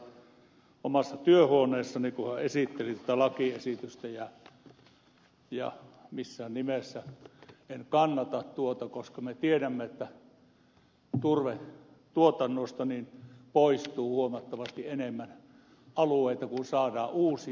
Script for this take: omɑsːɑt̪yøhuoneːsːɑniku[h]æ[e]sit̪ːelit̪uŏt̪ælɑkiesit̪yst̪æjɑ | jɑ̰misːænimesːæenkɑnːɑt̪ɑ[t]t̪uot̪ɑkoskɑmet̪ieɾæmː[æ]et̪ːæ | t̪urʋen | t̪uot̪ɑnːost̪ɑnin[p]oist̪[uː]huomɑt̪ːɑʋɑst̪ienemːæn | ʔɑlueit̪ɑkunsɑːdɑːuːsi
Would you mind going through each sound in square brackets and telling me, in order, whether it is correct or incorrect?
correct, correct, correct, incorrect, correct, correct

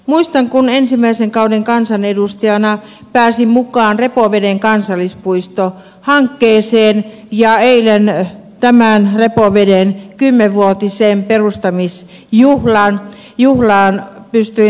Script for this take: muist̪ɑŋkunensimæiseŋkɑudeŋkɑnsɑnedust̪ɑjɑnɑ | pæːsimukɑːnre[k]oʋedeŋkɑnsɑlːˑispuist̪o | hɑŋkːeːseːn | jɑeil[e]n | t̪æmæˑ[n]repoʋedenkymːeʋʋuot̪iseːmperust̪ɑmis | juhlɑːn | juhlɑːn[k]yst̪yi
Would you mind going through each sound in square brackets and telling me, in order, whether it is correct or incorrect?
incorrect, correct, correct, incorrect

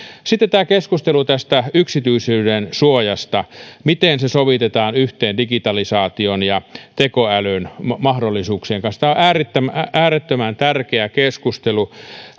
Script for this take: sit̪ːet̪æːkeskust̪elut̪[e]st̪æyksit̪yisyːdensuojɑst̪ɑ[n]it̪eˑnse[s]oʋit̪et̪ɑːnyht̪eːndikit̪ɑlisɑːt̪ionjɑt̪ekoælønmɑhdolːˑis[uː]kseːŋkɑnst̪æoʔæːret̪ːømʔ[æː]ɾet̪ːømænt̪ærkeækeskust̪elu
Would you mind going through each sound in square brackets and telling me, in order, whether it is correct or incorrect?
incorrect, incorrect, correct, correct, correct

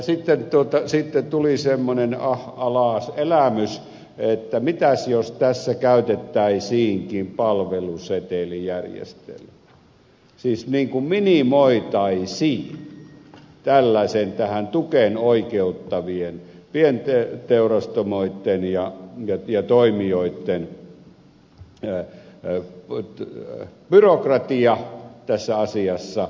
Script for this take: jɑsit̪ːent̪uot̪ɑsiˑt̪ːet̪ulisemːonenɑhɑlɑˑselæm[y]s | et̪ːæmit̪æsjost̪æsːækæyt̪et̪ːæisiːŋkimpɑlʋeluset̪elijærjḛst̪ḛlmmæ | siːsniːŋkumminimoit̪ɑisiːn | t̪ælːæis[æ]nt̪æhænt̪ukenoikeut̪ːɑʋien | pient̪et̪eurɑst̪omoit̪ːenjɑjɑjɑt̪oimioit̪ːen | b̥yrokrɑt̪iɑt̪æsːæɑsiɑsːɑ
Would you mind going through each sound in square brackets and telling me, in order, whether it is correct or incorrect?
correct, incorrect

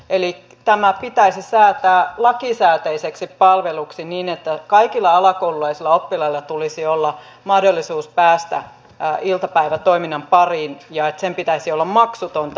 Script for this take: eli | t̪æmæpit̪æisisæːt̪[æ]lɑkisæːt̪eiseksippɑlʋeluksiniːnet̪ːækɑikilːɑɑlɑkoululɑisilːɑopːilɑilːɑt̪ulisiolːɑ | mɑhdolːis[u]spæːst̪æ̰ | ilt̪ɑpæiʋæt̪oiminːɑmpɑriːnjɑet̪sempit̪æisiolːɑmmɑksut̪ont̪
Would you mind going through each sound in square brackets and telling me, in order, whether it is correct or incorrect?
incorrect, incorrect

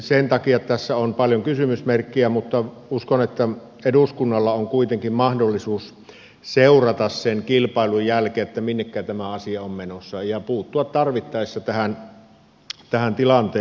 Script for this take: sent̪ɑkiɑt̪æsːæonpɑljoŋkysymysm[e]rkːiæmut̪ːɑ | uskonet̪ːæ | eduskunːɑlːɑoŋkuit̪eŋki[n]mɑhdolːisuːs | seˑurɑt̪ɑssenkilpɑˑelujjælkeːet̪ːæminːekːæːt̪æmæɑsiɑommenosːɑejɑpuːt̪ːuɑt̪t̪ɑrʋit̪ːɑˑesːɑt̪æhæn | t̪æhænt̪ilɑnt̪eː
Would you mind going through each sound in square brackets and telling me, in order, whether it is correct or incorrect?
correct, incorrect

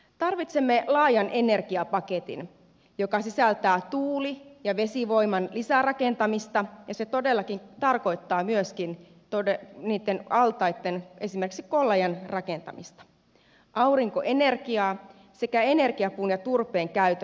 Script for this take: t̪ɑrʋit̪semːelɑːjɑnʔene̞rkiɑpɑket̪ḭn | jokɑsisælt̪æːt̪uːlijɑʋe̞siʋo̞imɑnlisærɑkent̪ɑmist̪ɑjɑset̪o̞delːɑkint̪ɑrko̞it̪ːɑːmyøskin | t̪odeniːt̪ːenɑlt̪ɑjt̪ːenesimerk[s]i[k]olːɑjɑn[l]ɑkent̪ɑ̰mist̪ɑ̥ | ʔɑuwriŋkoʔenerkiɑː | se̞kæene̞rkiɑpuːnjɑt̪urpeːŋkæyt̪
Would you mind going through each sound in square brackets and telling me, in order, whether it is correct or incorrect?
correct, correct, incorrect

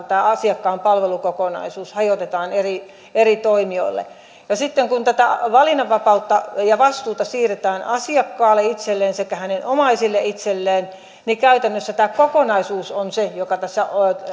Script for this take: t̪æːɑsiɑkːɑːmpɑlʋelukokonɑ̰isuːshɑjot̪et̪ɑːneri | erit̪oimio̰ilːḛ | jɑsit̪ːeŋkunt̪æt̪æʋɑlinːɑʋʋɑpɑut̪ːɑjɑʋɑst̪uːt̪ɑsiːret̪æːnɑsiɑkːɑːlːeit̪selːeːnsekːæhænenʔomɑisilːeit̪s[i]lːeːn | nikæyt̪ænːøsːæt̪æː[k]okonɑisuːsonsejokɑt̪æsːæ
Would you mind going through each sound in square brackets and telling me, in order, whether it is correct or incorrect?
incorrect, correct

